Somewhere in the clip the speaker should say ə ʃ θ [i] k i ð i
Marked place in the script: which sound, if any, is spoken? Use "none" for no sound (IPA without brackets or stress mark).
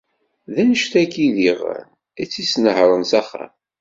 æ